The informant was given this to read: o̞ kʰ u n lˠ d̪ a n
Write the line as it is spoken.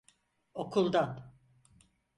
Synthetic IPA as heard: o̞ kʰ u lˠ d̪ a n